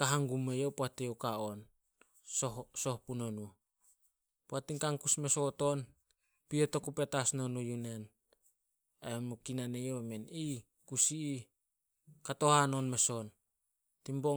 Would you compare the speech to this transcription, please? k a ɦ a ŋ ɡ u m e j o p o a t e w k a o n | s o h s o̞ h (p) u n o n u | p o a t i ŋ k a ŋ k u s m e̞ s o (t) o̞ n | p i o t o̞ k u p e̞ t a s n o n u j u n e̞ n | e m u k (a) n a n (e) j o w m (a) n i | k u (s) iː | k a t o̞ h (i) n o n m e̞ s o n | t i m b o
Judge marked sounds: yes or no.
yes, yes, no, yes, no, yes, no

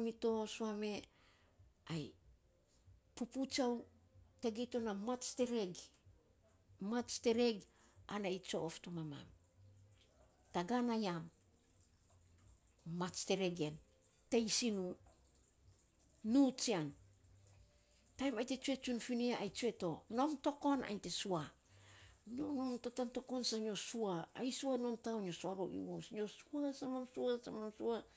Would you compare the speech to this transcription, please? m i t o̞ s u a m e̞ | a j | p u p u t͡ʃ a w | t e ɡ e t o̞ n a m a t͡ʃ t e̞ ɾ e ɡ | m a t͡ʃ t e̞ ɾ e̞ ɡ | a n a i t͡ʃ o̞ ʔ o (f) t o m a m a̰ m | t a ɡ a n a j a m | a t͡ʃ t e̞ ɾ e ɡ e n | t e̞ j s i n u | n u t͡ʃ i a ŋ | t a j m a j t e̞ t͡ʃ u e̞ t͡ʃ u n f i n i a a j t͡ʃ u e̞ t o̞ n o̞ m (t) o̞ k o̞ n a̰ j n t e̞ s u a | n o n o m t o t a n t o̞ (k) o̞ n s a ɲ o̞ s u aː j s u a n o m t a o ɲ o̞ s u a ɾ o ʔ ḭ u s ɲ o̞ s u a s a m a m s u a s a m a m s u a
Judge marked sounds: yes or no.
yes, yes, yes

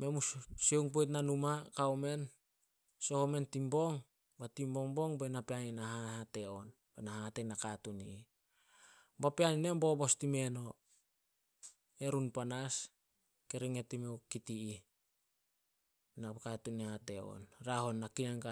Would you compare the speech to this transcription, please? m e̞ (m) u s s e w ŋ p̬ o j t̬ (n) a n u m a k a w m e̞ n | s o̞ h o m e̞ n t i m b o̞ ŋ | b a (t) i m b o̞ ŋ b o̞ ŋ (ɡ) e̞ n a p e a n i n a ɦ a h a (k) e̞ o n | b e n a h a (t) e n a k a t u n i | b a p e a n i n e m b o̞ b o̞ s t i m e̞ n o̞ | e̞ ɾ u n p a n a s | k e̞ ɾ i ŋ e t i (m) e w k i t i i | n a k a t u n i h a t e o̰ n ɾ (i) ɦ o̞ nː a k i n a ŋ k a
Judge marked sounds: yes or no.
yes, yes, yes, no, no, yes, yes, no

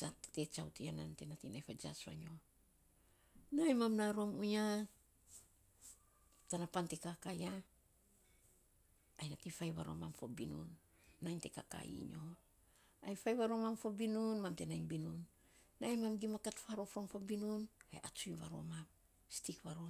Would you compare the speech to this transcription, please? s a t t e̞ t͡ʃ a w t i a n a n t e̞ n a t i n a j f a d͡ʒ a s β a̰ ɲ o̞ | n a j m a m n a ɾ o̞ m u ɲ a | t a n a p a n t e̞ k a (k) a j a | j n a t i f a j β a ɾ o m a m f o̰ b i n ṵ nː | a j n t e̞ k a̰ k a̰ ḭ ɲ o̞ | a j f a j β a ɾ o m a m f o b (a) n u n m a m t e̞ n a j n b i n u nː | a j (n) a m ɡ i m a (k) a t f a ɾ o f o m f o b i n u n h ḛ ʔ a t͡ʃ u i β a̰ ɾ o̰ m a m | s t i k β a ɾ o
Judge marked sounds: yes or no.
yes, no, no, yes

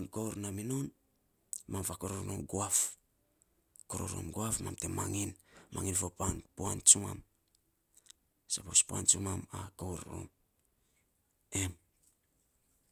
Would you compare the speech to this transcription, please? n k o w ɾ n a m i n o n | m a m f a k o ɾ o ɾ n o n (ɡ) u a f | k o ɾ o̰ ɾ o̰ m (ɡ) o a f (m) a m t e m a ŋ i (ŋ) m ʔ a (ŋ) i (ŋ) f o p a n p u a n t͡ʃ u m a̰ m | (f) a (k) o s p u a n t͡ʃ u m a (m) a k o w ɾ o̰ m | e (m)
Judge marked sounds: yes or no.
yes, yes, yes, no, yes, no, no, no, yes, yes

